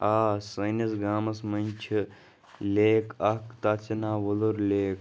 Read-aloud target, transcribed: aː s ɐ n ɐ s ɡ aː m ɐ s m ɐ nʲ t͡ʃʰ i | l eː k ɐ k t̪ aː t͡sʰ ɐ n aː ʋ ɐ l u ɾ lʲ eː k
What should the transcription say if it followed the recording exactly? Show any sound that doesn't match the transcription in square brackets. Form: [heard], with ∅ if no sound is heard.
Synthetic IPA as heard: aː s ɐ n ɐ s ɡ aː m ɐ s m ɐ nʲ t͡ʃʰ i | l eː k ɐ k t̪ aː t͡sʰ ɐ n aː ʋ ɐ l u ɾ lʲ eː k

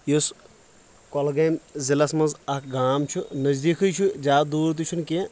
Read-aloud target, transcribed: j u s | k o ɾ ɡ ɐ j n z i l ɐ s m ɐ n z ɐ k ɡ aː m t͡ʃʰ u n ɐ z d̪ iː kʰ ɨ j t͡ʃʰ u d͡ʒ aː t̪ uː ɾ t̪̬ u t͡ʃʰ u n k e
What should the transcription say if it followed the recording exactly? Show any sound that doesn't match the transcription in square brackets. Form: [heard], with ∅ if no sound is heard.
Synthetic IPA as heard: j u s | k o [l] ɡ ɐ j [m] z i l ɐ s m ɐ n z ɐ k ɡ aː m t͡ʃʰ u n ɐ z d̪ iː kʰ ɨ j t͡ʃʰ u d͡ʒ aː [d̪] uː ɾ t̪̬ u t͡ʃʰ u n k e

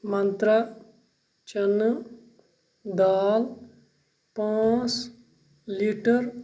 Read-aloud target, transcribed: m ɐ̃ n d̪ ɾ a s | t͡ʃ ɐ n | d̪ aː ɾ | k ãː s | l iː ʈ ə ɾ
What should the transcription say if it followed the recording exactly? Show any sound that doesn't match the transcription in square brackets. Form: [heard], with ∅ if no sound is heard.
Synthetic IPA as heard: m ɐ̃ n [t̪] ɾ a [∅] | t͡ʃ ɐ n | d̪ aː [l] | [p] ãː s | l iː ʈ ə ɾ

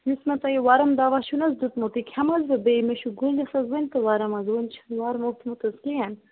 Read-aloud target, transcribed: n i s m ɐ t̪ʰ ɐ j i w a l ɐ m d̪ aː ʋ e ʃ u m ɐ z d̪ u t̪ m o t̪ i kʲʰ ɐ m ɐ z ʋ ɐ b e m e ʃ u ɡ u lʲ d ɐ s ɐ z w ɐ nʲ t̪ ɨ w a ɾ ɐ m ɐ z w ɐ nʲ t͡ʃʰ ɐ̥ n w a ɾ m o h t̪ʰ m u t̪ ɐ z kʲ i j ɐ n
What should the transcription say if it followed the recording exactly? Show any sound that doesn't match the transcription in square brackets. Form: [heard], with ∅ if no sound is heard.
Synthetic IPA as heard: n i s m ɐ [t̪] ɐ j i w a [ɾ] ɐ m d̪ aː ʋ [a] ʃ u [n] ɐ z d̪ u t̪ m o t̪ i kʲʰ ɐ m ɐ z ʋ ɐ b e m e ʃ u ɡ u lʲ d ɐ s ɐ z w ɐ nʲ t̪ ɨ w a ɾ ɐ m ɐ z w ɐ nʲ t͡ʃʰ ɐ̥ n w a ɾ m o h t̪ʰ m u t̪ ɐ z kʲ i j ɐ n

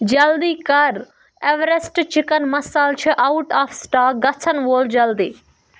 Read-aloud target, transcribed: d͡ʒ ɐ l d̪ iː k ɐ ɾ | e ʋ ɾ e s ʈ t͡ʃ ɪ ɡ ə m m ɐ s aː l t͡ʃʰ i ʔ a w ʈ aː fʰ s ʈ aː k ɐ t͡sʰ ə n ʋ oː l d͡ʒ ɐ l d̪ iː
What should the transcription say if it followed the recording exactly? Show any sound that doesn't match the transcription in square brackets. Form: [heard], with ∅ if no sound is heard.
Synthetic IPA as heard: d͡ʒ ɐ l d̪ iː k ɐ ɾ | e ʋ ɾ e s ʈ t͡ʃ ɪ [k] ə [n] m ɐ s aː l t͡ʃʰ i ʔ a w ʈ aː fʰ s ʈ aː [ɡ] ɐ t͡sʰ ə n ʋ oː l d͡ʒ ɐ l d̪ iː

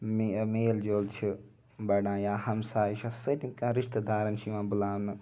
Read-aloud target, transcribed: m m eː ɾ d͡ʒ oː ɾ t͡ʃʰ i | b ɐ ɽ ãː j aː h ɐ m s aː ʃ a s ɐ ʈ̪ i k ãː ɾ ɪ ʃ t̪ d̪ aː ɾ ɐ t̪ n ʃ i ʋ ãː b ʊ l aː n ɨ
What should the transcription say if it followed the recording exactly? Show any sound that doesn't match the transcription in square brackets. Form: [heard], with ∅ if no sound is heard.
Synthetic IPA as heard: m m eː [l] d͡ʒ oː [l] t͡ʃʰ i | b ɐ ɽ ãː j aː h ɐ m s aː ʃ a s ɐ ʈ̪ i k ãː ɾ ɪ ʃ t̪ d̪ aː ɾ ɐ [∅] n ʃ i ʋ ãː b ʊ l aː n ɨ

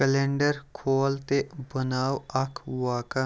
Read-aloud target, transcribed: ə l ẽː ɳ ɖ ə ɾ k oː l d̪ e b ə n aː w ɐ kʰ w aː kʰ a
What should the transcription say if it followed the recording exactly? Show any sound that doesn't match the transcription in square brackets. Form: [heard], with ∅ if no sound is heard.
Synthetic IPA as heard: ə l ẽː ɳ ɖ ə ɾ [kʰ] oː l [t̪] e b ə n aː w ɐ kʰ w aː [k] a

